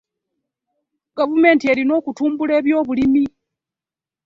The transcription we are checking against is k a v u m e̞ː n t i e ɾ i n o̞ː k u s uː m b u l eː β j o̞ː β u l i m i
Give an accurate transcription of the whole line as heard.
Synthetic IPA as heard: ɡ a v u m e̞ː n t i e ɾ i n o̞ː k u t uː m b u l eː β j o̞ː β u l i m i